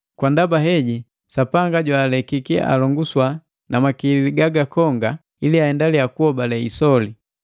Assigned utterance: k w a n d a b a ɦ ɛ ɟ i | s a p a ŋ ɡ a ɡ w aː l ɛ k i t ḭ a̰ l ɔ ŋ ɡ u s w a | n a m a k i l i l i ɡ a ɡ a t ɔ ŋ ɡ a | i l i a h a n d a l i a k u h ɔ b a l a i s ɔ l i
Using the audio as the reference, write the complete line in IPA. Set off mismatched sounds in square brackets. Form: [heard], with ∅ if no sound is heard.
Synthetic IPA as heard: k w a n d a b a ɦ ɛ ɟ i | s a p a ŋ ɡ a [ɟ] w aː l ɛ k i [k] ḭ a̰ l ɔ ŋ ɡ u s w a | n a m a k i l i l i ɡ a ɡ a [k] ɔ ŋ ɡ a | i l i a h [ɛ] n d a l i a k u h ɔ b a l [ɛ] i s ɔ l i